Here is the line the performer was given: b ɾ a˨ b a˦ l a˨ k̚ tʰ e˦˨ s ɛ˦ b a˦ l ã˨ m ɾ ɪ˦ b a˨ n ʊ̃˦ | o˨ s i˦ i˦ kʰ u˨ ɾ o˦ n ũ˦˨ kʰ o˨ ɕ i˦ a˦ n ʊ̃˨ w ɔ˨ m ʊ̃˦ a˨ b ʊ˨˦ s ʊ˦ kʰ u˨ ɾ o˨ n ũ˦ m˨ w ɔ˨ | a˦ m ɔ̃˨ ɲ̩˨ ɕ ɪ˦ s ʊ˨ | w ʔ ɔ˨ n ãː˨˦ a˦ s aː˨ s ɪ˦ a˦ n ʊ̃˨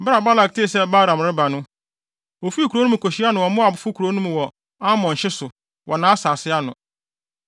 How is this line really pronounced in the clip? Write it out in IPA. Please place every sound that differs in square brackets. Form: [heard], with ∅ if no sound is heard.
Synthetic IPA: b ɾ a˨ b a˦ l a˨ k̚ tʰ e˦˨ s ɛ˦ b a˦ [ɾ] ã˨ m ɾ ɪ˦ b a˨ n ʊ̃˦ | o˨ [f] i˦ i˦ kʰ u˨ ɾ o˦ n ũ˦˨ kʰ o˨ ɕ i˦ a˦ n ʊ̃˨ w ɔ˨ m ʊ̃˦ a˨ b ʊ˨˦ [f] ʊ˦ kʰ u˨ ɾ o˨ n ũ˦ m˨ w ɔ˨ | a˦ m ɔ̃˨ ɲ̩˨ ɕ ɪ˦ s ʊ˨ | w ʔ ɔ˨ n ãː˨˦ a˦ s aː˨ s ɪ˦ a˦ n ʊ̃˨